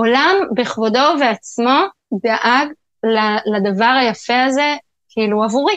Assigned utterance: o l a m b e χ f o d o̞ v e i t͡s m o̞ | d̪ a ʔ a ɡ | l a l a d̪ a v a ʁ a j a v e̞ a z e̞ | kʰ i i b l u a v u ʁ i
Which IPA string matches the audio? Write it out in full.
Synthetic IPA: o l a m b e χ v o d o̞ v e a t͡s m o̞ | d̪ a ʔ a ɡ | l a l a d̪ a v a ʁ a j a f e̞ a z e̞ | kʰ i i l u a v u ʁ i